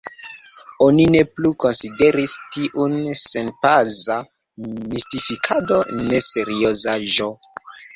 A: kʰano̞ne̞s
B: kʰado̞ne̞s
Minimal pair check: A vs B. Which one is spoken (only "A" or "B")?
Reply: B